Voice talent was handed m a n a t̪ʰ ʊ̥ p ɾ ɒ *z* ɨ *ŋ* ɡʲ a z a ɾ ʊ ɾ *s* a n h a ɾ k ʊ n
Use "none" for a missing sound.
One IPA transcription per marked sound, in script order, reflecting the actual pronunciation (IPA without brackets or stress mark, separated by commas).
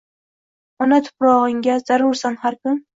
ʁ, ŋ, s